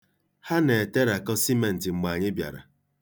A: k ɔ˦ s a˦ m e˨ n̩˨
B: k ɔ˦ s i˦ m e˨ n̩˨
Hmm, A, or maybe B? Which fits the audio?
B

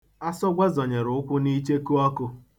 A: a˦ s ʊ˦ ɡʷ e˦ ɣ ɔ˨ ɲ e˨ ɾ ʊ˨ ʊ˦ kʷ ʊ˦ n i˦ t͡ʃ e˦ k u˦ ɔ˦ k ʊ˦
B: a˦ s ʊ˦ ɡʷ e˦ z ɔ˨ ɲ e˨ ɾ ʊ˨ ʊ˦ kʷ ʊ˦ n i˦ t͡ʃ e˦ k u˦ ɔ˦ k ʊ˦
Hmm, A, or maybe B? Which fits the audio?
B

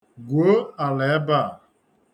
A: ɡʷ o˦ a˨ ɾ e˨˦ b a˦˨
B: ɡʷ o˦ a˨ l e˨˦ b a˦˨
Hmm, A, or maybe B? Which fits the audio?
B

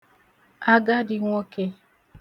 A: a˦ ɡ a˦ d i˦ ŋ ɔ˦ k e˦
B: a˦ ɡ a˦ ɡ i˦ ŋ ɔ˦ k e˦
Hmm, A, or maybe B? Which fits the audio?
A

